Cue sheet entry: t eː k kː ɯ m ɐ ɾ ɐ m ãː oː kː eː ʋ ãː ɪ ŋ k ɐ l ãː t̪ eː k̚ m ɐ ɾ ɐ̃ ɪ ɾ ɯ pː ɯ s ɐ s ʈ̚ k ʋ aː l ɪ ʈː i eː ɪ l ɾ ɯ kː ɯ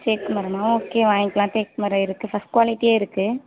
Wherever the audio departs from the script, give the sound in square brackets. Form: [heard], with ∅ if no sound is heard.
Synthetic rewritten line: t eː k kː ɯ m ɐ ɾ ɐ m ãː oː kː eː ʋ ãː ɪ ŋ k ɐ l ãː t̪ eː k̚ m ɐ ɾ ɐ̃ ɪ ɾ ɯ [kː] ɯ [f] ɐ s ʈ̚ k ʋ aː l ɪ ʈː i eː ɪ [∅] ɾ ɯ kː ɯ

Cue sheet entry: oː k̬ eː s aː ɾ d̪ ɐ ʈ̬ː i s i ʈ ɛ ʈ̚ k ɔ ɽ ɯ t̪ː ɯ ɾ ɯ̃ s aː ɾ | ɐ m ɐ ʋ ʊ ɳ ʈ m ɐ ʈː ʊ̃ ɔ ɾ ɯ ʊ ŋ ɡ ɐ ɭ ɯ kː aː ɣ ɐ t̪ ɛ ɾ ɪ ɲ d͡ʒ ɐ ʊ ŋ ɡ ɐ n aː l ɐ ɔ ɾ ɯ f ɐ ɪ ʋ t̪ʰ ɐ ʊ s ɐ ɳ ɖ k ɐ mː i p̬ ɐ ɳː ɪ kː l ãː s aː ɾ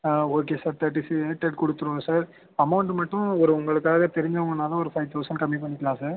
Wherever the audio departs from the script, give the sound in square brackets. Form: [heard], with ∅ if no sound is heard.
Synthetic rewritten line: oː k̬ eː s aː ɾ [t̪] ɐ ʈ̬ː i s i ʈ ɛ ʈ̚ k ɔ ɽ ɯ t̪ː ɯ ɾ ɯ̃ s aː ɾ | ɐ m ɐ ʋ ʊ ɳ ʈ m ɐ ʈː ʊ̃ ɔ ɾ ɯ ʊ ŋ ɡ ɐ ɭ ɯ kː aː ɣ ɐ t̪ ɛ ɾ ɪ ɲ d͡ʒ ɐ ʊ ŋ ɡ ɐ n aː l ɐ ɔ ɾ ɯ f ɐ ɪ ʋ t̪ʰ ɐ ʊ s ɐ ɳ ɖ k ɐ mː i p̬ ɐ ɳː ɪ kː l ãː s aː ɾ

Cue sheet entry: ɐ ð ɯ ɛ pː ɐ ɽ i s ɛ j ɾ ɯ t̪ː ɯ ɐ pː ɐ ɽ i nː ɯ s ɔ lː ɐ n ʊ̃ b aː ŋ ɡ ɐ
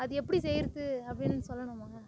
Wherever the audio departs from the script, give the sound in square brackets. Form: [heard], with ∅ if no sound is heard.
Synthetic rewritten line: ɐ ð ɯ ɛ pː ɐ ɽ i s ɛ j ɾ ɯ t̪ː ɯ ɐ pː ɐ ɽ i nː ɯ s ɔ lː ɐ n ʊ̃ [m] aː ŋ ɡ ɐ

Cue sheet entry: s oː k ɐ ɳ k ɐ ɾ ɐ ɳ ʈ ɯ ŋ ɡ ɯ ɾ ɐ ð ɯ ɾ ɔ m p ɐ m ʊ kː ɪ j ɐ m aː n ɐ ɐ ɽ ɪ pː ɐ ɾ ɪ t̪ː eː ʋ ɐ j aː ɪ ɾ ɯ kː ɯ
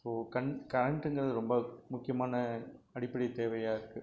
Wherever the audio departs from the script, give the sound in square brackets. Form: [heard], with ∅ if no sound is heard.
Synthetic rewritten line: s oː k ɐ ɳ k ɐ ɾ ɐ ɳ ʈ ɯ ŋ ɡ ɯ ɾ ɐ ð ɯ ɾ ɔ m [b] ɐ m ʊ kː ɪ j ɐ m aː n ɐ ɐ ɽ ɪ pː ɐ [ɽ] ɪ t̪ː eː ʋ ɐ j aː ɪ ɾ ɯ kː ɯ

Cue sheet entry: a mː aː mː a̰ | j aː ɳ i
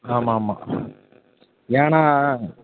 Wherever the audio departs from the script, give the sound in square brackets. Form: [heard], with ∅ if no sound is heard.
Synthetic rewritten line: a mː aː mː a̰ | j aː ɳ [a]

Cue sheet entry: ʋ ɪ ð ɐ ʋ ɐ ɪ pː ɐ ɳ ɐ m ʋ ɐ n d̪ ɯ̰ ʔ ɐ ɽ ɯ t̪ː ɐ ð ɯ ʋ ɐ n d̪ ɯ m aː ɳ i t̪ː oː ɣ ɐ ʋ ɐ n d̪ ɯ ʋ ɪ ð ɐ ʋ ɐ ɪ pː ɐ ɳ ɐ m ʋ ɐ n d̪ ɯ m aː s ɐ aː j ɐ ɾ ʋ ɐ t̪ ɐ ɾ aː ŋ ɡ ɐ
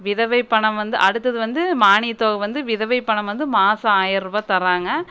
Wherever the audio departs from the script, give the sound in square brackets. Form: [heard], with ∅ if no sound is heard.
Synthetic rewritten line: ʋ ɪ ð ɐ ʋ ɐ ɪ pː ɐ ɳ ɐ m ʋ ɐ n d̪ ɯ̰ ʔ ɐ ɽ ɯ t̪ː ɐ ð ɯ ʋ ɐ n d̪ ɯ m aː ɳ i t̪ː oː ɣ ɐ ʋ ɐ n d̪ ɯ ʋ ɪ ð ɐ ʋ ɐ ɪ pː ɐ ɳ ɐ m ʋ ɐ n d̪ ɯ m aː s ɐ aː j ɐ ɾ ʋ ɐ t̪ ɐ ɾ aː ŋ ɡ ɐ

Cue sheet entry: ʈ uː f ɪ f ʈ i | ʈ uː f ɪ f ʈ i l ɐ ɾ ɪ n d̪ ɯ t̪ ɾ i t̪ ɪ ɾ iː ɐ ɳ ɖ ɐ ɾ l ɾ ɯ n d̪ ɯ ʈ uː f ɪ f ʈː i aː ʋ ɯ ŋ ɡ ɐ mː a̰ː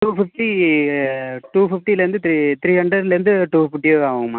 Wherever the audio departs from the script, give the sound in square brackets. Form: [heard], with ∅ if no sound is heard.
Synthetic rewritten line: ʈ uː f ɪ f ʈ i | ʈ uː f ɪ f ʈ i l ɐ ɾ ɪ n d̪ ɯ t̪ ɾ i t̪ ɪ ɾ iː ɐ ɳ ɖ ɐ ɾ l ɾ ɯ n d̪ ɯ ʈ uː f ɪ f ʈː i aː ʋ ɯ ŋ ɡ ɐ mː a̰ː

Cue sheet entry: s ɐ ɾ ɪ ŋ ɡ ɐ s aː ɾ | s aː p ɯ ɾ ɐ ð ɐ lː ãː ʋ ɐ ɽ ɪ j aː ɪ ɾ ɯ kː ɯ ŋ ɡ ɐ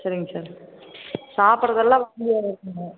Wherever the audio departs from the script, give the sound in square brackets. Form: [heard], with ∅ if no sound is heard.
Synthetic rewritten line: s ɐ ɾ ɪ ŋ ɡ ɐ s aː ɾ | s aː p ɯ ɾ ɐ ð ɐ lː ãː ʋ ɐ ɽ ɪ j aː ɪ ɾ ɯ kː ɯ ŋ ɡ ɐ

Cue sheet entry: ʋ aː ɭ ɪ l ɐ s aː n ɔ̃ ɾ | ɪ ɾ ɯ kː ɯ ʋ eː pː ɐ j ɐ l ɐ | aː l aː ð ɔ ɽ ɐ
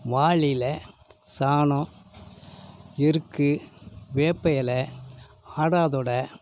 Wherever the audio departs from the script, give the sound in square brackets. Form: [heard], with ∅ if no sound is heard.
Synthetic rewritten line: ʋ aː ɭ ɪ l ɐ s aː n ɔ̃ [∅] | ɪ ɾ ɯ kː ɯ ʋ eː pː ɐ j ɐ l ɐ | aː [ɽ] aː ð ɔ ɽ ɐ

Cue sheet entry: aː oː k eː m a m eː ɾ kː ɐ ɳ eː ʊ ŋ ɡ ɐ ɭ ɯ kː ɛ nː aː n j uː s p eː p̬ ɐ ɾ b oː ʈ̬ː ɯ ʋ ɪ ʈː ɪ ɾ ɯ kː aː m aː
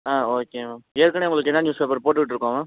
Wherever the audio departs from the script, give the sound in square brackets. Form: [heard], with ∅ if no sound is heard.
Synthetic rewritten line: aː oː k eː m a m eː ɾ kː ɐ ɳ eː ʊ ŋ ɡ ɐ ɭ ɯ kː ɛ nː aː n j uː s p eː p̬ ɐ ɾ [p] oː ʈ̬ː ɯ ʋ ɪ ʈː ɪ ɾ ɯ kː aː m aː

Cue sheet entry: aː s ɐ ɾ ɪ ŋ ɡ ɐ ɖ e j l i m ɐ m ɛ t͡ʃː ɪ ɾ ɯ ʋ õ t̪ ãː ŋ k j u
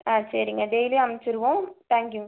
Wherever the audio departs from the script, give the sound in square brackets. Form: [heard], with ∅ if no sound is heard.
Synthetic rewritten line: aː s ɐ ɾ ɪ ŋ ɡ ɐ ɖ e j l i [∅] ɐ m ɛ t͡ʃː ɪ ɾ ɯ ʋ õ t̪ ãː ŋ k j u

